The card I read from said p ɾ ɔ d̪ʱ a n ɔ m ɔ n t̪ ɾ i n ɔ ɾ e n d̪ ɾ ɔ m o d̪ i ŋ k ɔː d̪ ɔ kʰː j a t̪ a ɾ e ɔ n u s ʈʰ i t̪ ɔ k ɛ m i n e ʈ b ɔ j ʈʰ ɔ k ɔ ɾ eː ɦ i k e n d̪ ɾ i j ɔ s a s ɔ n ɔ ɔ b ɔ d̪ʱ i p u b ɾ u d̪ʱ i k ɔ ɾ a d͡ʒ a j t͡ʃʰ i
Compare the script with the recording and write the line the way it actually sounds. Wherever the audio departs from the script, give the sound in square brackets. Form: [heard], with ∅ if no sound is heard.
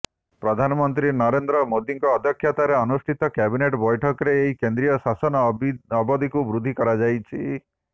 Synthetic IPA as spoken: p ɾ ɔ d̪ʱ a n ɔ m ɔ n t̪ ɾ i n ɔ ɾ e n d̪ ɾ ɔ m o d̪ i ŋ k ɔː d̪ ɔ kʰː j a t̪ a ɾ e ɔ n u s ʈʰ i t̪ ɔ k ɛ [b] i n e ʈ b ɔ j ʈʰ ɔ k ɔ ɾ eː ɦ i k e n d̪ ɾ i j ɔ s a s ɔ n ɔ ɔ b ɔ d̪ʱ i [k] u b ɾ u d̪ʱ i k ɔ ɾ a d͡ʒ a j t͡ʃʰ i